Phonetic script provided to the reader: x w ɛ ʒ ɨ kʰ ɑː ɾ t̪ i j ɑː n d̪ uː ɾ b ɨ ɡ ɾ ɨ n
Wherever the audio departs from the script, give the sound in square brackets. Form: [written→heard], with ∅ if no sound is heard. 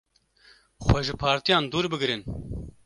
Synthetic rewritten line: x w ɛ ʒ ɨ [kʰ→pʰ] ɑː ɾ t̪ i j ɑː n d̪ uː ɾ b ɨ ɡ ɾ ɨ n